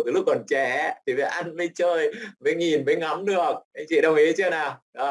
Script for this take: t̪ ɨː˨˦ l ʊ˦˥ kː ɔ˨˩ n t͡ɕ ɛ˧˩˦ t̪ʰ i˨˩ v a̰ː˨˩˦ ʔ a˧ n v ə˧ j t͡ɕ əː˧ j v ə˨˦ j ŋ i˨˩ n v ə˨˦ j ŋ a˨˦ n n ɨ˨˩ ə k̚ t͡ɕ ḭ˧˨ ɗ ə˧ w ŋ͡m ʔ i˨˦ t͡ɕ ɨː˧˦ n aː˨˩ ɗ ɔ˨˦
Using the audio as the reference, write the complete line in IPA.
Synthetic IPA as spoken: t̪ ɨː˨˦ l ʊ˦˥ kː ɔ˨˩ n t͡ɕ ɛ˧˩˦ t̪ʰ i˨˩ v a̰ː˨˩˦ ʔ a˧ n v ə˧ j t͡ɕ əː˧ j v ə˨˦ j ŋ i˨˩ n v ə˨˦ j ŋ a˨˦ m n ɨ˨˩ ə k̚ t͡ɕ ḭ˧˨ ɗ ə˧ w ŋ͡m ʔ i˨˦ t͡ɕ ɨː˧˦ n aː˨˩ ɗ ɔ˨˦

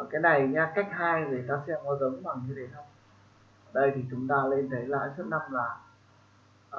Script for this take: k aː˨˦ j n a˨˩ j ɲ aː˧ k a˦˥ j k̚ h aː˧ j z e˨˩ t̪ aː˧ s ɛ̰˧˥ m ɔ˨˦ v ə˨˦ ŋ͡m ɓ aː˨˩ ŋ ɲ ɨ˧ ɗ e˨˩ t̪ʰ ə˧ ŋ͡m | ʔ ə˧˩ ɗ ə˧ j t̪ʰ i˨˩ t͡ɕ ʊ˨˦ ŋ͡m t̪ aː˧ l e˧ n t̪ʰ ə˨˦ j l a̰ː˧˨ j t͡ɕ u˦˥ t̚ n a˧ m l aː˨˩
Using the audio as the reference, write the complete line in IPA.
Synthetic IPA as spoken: k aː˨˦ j n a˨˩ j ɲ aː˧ k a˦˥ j k̚ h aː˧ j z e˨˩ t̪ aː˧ s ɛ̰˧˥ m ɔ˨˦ z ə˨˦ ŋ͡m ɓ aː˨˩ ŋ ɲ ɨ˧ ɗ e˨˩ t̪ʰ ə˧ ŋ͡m | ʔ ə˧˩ ɗ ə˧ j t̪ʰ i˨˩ t͡ɕ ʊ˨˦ ŋ͡m t̪ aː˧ l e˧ n t̪ʰ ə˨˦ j l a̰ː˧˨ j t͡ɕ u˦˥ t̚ n a˧ m l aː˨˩

